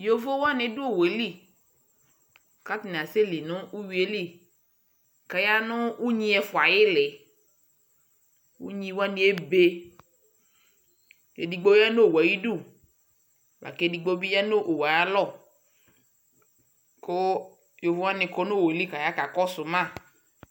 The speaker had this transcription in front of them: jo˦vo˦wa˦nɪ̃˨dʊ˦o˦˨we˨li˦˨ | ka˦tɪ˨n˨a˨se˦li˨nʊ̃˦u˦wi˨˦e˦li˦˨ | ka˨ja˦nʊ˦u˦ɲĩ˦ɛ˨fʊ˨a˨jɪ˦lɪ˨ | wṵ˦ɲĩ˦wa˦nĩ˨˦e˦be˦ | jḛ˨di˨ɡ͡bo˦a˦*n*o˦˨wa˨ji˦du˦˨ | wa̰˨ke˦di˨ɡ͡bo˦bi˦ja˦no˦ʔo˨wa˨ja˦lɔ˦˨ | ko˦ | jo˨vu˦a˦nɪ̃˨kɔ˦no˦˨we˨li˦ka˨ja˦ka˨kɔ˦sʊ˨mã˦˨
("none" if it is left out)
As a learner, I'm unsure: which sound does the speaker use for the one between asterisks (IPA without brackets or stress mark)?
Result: n